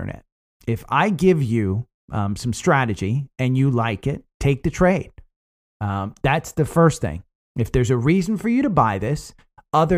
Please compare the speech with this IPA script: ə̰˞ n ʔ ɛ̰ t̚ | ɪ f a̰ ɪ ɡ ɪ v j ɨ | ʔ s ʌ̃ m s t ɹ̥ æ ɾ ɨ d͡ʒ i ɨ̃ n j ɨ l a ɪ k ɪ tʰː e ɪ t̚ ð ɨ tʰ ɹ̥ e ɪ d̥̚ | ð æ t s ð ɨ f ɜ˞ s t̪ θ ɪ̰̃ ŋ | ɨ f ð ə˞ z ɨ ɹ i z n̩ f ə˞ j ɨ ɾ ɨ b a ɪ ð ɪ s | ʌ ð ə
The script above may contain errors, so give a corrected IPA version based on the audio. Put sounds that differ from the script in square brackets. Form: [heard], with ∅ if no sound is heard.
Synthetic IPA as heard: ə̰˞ n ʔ ɛ̰ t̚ | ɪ f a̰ ɪ ɡ ɪ v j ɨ | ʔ s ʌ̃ m s t ɹ̥ æ ɾ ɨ d͡ʒ i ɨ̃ n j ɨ l a ɪ k ɪ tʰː e ɪ [k̚] ð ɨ tʰ ɹ̥ e ɪ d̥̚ | ð æ t s ð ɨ f ɜ˞ s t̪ θ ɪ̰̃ ŋ | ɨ f ð ə˞ z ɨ ɹ i z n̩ f ə˞ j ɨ ɾ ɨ b a ɪ ð ɪ s | ʌ ð ə